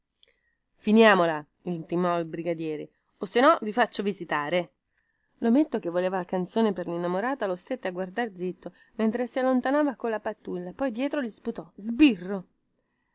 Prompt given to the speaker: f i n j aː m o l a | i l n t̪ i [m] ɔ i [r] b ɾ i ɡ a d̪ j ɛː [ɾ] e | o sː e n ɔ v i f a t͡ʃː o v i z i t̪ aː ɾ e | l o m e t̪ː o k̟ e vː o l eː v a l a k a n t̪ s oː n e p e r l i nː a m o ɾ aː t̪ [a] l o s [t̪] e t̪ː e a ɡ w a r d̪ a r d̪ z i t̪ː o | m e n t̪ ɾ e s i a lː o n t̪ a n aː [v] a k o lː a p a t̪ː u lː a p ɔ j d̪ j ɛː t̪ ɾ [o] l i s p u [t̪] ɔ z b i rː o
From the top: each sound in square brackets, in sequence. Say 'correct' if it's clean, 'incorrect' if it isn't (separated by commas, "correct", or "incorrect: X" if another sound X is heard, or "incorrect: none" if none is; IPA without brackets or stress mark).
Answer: correct, incorrect: l, correct, correct, correct, correct, correct, correct